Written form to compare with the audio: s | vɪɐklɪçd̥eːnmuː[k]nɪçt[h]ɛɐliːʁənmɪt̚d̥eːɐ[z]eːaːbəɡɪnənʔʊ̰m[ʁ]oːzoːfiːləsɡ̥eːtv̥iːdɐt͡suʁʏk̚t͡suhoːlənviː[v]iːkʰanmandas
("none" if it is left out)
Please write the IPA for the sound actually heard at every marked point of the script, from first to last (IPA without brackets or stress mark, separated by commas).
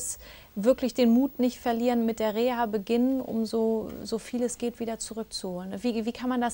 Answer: t, f, ʁ, z, v